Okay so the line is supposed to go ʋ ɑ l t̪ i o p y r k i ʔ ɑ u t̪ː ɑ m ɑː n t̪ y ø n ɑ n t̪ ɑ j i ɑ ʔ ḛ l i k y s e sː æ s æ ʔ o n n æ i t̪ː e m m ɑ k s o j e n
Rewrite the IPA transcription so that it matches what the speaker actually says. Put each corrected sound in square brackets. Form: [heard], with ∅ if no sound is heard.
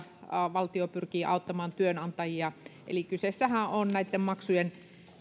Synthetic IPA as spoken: ʋ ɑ l t̪ i o p y r k [iː] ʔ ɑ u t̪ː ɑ m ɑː n t̪ y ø n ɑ n t̪ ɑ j i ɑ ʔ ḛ l i k y s e sː æ [h] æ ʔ o n n æ i t̪ː e m m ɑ k s [u] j e n